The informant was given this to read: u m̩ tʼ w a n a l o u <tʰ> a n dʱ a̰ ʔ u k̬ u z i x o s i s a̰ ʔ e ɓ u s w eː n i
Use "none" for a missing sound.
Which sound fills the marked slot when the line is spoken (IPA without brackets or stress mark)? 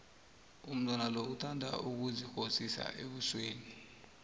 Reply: tʰ